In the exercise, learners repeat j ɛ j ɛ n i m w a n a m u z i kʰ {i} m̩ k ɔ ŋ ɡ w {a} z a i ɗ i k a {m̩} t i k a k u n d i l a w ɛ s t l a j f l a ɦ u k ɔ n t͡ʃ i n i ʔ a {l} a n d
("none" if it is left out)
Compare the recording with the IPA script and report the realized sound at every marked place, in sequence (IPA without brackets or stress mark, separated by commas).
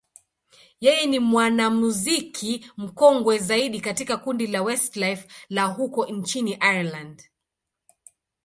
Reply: i, ɛ, none, l